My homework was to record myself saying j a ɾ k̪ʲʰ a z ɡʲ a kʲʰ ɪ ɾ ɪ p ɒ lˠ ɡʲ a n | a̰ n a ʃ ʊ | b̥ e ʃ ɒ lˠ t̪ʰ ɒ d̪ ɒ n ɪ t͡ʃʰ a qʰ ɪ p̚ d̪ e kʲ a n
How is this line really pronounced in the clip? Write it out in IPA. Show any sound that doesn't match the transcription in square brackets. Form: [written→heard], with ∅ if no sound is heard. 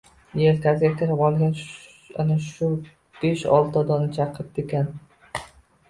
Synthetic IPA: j [a→e] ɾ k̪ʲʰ a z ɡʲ a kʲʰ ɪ ɾ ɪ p ɒ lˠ ɡʲ a n | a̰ n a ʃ ʊ | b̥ e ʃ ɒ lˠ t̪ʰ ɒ d̪ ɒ n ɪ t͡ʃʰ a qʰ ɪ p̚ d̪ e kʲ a n